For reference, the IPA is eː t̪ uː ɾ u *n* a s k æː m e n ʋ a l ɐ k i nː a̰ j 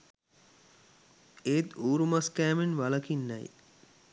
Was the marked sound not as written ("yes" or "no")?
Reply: yes